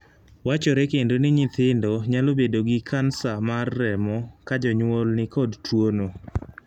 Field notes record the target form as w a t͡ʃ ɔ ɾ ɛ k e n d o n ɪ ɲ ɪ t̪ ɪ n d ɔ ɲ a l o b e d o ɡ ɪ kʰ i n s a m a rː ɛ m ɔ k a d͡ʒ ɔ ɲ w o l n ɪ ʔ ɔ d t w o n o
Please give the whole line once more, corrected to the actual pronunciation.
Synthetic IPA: w a t͡ʃ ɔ ɾ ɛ k e n d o n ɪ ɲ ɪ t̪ ɪ n d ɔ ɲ a l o b e d o ɡ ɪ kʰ a n s a m a rː ɛ m ɔ k a d͡ʒ ɔ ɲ w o l n ɪ k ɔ d t w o n o